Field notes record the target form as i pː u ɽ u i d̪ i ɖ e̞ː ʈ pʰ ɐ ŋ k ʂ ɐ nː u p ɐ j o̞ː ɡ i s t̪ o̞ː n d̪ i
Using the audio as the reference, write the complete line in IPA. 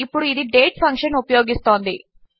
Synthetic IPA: i pː u ɽ u i d̪ i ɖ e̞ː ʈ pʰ ɐ ŋ k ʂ ɐ n u p ɐ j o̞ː ɡ i s t̪ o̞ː n d̪ i